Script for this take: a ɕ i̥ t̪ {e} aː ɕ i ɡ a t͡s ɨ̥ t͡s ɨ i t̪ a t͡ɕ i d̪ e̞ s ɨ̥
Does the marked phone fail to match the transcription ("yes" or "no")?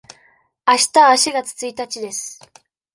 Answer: yes